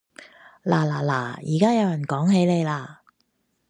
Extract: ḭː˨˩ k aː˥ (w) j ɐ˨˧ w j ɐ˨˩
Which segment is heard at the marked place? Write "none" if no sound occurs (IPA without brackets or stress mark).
none